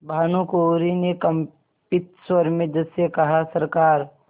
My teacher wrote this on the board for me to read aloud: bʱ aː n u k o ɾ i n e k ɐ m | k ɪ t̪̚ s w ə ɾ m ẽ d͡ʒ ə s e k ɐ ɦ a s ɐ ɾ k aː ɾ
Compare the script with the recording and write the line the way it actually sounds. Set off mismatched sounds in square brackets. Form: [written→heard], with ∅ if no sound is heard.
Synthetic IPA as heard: bʱ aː n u k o ɾ i n e k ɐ m | [k→p] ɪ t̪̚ s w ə ɾ m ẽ d͡ʒ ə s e k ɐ ɦ a s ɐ ɾ k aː ɾ